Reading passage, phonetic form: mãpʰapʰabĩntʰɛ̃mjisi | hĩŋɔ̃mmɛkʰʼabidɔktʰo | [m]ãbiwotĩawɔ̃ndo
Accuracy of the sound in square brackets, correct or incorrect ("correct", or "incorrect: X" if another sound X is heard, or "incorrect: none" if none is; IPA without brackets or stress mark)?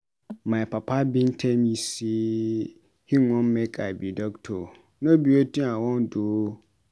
incorrect: n